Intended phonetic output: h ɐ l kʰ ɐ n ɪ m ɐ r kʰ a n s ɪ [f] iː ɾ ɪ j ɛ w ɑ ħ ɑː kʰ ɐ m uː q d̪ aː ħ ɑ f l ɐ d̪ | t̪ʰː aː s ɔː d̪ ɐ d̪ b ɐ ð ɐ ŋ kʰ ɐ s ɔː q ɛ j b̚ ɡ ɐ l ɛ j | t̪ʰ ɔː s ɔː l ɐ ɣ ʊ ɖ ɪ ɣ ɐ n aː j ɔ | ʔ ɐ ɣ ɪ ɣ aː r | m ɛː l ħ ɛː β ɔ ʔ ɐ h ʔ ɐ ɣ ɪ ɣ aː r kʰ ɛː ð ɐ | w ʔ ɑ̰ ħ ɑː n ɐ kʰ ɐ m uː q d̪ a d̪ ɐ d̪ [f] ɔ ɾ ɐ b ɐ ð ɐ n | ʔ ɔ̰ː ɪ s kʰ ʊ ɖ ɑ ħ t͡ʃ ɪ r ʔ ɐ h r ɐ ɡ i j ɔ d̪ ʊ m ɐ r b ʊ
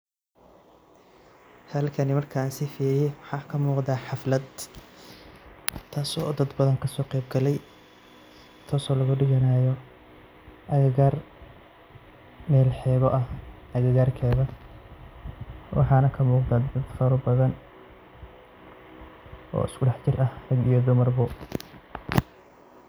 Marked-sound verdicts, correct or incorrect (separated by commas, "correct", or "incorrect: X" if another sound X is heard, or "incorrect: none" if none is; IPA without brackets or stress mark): correct, correct